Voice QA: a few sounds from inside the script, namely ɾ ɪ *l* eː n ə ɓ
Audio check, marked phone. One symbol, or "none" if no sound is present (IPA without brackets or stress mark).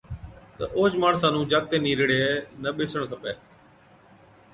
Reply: ɽ